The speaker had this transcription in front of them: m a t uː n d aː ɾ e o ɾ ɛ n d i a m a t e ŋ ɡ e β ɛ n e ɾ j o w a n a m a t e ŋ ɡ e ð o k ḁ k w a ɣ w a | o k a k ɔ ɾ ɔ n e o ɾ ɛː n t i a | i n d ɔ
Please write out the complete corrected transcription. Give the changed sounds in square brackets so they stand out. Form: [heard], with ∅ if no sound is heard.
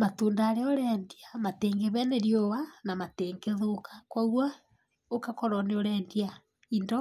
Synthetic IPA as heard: m a t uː n d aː ɾ e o ɾ ɛ n d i a m a t e ŋ ɡ e β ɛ n e ɾ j o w a n a m a t e ŋ ɡ e ð o k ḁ k w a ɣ w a | o k a k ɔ ɾ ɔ n e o ɾ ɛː n [d] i a | i n d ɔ